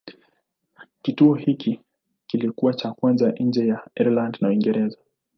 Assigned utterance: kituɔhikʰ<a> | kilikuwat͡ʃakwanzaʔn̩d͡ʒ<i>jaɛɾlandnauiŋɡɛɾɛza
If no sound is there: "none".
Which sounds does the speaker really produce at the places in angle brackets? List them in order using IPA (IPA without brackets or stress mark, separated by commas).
i, ɛ